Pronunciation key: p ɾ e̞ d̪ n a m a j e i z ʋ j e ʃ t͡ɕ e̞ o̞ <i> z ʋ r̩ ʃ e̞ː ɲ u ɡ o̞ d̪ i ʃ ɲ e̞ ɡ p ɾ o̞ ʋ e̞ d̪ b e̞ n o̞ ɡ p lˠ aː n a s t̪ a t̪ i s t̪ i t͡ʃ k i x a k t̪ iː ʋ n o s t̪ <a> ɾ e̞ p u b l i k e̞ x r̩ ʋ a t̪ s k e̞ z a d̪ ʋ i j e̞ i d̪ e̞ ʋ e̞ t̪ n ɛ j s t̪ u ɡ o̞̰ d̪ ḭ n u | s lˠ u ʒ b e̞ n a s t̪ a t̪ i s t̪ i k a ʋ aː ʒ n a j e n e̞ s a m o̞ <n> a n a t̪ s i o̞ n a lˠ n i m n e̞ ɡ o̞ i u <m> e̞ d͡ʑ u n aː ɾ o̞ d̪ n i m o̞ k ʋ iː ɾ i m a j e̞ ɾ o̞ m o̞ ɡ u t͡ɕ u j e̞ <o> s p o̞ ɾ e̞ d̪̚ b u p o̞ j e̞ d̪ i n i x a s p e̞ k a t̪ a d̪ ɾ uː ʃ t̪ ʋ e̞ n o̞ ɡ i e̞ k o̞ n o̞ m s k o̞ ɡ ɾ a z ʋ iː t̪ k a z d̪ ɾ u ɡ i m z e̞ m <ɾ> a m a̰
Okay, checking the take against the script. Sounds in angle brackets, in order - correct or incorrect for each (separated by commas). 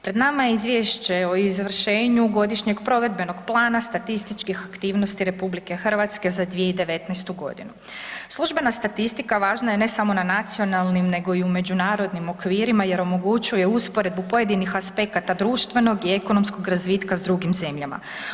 correct, incorrect, correct, correct, incorrect, incorrect